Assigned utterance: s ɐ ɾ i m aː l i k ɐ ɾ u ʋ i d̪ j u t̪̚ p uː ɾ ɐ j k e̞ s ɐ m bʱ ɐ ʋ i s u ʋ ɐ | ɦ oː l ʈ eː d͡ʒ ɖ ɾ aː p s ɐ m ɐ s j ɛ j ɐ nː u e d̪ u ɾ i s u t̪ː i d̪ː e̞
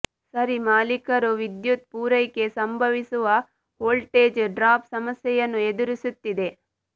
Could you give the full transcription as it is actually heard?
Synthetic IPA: s ɐ ɾ i m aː l i k ɐ ɾ u ʋ i d̪ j u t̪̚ p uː ɾ ɐ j k e̞ s ɐ m bʱ ɐ ʋ i s u ʋ ɐ | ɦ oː l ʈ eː d͡ʒ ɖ ɾ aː p s ɐ m ɐ s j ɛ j ɐ nː u e d̪ u ɾ i s u t̪ː i d̪ e̞